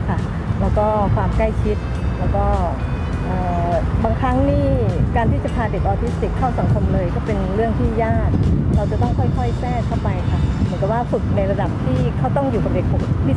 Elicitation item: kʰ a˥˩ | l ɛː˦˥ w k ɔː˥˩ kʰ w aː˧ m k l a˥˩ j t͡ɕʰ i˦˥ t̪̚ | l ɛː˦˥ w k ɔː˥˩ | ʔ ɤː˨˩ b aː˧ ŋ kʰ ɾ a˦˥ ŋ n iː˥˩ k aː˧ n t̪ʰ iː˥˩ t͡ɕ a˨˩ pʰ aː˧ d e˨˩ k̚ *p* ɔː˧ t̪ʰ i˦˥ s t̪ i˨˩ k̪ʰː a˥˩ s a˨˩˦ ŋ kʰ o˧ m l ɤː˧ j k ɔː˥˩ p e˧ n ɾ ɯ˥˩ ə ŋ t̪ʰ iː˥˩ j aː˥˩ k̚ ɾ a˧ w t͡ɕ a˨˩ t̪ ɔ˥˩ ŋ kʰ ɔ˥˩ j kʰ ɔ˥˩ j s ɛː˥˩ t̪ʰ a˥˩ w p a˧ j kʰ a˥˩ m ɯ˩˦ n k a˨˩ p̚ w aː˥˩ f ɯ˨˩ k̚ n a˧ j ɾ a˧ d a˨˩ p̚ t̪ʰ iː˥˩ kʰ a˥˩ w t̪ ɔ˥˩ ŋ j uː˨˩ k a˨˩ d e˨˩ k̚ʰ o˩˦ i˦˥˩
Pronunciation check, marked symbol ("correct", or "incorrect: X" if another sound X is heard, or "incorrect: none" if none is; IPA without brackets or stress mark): incorrect: ʔ